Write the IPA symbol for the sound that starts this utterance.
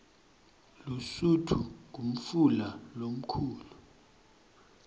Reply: l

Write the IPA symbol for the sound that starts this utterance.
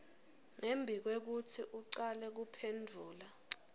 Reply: ŋ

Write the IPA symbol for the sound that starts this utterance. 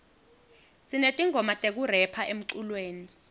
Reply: s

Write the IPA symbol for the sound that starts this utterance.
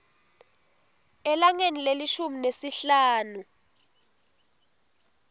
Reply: ɛ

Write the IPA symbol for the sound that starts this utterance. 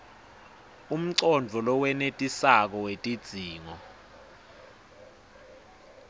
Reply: u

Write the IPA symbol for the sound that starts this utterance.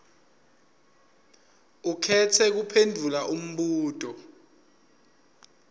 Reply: u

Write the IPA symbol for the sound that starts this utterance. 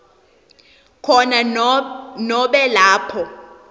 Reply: kʰ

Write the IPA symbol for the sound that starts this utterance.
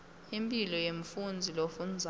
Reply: i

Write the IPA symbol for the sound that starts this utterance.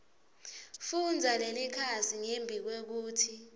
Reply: f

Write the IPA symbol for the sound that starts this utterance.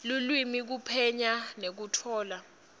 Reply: l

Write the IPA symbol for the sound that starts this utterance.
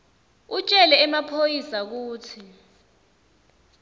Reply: u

